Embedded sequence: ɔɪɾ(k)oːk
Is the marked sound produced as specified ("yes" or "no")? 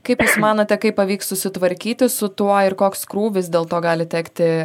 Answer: yes